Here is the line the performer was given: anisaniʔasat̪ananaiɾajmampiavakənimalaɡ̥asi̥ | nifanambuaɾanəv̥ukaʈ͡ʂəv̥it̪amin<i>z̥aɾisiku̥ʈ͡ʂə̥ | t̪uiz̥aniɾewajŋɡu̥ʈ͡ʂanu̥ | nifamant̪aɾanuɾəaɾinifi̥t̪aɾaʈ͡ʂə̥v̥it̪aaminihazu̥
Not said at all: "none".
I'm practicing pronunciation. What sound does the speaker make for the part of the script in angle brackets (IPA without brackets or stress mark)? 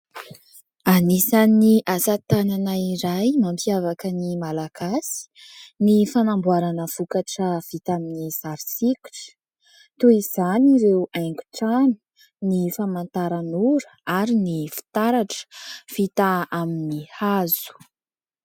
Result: i